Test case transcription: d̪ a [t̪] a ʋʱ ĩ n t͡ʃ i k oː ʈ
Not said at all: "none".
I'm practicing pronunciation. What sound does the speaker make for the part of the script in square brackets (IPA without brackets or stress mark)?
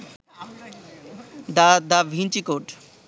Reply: d̪